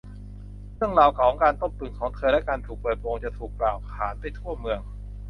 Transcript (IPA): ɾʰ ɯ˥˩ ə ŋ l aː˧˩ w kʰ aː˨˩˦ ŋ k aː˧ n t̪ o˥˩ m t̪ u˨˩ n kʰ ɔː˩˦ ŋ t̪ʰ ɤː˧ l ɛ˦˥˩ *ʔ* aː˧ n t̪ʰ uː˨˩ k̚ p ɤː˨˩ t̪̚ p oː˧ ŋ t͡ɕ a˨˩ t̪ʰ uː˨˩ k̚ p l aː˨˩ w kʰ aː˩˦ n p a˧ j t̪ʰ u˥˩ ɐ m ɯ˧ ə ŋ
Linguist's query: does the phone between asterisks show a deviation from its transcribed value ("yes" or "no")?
yes